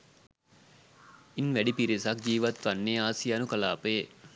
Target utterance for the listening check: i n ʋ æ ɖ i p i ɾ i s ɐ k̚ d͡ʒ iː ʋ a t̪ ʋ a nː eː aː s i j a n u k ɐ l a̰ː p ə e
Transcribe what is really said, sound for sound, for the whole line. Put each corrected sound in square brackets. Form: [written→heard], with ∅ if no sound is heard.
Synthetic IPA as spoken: i n ʋ æ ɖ i p i ɾ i s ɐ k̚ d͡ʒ iː ʋ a t̪ ʋ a nː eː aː s i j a n u k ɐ l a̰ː p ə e